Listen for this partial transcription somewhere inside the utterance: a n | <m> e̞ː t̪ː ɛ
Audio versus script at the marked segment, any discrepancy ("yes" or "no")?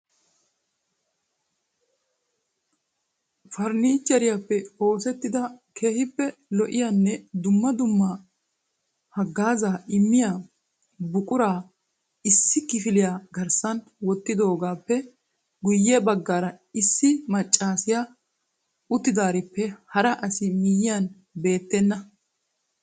yes